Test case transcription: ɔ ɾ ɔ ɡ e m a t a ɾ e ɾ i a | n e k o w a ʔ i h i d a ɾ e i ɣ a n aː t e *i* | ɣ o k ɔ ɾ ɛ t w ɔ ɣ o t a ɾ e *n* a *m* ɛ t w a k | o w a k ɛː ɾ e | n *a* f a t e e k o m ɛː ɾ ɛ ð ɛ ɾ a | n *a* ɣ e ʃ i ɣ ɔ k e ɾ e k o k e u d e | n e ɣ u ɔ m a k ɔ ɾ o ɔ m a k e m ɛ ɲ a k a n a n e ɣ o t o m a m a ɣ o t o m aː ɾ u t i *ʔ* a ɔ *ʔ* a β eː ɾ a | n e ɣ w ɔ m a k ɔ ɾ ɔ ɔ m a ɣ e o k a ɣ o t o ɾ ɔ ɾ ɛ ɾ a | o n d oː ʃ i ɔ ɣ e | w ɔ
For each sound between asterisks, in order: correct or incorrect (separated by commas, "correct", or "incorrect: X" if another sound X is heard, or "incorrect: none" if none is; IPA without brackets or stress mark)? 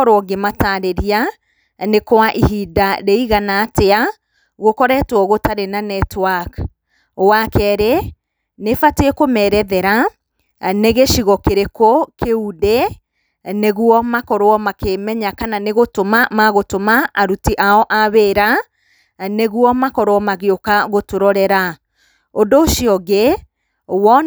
incorrect: a, correct, incorrect: n, incorrect: e, incorrect: e, correct, correct